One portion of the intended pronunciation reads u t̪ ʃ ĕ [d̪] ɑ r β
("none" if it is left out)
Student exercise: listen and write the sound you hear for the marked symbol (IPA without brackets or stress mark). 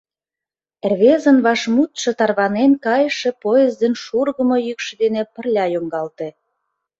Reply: t̪